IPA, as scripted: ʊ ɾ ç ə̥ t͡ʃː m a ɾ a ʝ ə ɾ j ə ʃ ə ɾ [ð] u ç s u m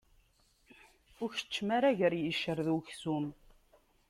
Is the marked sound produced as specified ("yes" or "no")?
yes